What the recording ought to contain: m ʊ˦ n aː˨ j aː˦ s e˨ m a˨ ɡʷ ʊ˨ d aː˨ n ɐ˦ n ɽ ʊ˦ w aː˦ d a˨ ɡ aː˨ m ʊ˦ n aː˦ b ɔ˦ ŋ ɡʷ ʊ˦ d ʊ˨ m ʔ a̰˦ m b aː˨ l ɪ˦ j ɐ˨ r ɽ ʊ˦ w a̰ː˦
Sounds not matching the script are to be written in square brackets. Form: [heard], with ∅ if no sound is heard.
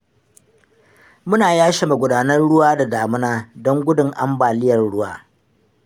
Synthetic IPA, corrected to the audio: m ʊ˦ n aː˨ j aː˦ [ʃ] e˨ m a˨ ɡʷ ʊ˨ d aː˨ n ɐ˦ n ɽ ʊ˦ w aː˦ d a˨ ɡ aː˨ m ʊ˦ n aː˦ [d] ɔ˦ ŋ ɡʷ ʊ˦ d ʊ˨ [ŋ] ʔ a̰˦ m b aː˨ l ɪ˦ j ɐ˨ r ɽ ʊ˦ w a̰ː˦